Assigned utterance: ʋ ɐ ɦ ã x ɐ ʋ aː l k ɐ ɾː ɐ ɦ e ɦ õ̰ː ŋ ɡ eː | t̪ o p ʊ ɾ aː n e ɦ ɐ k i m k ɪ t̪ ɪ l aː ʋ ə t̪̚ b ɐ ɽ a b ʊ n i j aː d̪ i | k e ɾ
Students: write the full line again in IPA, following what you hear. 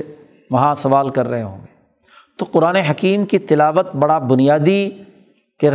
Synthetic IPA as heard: ʋ ɐ ɦ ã s ɐ ʋ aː l k ɐ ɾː ɐ ɦ e ɦ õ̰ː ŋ ɡ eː | t̪ o q ʊ ɾ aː n e ɦ ɐ k iː m k i t̪ ɪ l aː ʋ ə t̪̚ b ɐ ɽ a b ʊ n i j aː d̪ i | k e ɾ